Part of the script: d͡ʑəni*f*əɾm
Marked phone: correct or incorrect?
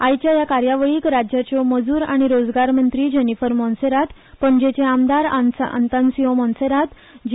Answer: correct